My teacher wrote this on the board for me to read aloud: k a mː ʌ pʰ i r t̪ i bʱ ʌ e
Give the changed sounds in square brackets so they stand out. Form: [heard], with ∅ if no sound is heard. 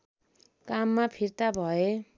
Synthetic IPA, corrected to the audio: k a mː [a] pʰ i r t̪ [a] bʱ ʌ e